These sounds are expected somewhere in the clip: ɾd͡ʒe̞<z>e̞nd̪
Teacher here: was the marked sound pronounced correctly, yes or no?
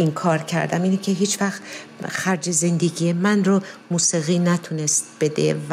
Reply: yes